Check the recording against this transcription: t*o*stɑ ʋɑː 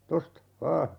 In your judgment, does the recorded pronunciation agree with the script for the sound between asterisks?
yes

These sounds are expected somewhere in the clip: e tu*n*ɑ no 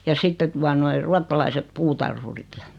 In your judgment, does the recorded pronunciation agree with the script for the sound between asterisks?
no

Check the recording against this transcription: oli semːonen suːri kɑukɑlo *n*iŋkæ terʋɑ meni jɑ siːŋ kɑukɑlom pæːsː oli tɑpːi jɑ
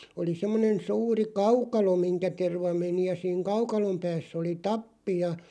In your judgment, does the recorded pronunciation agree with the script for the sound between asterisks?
no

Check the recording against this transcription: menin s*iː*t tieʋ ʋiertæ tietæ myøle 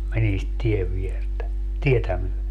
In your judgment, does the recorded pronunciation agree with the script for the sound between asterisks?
no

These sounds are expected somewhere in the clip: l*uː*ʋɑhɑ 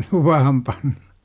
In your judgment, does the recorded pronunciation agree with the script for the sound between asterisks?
no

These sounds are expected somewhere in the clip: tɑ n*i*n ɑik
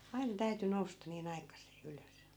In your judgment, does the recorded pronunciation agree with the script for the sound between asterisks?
no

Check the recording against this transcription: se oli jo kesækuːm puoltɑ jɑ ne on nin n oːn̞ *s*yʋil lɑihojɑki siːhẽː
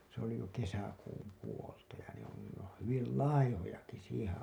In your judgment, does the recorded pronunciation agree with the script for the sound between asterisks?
no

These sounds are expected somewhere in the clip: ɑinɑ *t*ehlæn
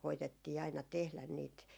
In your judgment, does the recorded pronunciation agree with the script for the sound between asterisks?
yes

